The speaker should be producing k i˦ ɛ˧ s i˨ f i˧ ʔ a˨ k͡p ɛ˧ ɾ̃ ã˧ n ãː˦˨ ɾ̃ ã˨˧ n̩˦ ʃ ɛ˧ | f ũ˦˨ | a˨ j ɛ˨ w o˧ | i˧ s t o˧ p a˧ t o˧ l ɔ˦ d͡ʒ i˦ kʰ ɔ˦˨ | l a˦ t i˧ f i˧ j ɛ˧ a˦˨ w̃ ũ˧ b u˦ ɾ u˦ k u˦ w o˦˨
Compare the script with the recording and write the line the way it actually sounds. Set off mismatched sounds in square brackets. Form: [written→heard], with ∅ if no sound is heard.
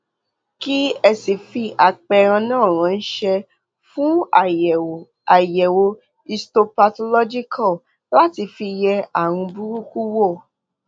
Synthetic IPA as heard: k i˦ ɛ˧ s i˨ f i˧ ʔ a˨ k͡p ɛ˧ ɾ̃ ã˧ n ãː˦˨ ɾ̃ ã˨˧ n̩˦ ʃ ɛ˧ | f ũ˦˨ | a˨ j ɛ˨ w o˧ | i˧ s t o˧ p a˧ t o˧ l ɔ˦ d͡ʒ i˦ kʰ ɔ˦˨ | l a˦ t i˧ f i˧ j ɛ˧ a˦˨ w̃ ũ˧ b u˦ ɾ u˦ k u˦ w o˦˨